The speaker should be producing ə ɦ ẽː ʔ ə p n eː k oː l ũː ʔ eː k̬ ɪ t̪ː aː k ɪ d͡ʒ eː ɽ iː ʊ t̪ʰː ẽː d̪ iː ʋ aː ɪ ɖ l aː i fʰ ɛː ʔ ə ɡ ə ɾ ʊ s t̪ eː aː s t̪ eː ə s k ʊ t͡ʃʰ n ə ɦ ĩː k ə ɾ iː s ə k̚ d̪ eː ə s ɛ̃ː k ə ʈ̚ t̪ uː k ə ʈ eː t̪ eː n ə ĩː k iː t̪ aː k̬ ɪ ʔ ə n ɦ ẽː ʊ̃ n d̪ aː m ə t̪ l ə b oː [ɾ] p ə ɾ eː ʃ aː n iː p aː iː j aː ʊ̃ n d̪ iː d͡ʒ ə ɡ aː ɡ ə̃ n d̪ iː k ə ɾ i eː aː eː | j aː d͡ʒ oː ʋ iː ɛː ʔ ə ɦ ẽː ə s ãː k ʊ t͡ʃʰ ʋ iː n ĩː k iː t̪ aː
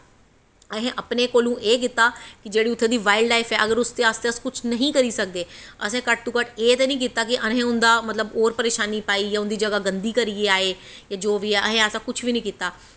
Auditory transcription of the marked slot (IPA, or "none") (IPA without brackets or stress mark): ɾ